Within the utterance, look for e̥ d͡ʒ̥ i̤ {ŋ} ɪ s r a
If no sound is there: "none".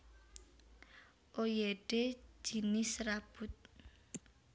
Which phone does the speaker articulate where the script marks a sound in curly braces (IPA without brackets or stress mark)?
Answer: n